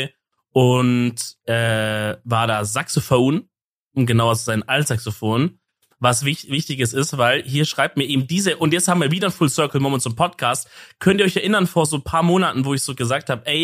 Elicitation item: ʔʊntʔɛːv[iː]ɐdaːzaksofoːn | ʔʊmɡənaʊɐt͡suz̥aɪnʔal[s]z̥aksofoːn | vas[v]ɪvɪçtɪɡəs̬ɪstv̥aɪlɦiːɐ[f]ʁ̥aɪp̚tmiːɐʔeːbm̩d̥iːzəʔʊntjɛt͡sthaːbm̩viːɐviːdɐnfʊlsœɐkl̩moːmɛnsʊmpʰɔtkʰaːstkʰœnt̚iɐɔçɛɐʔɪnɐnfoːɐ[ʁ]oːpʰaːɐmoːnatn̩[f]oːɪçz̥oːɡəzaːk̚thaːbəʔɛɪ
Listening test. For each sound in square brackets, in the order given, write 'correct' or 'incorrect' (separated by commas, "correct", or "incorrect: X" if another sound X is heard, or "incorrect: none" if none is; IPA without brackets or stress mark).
incorrect: aː, correct, correct, incorrect: ʃ, incorrect: z, incorrect: v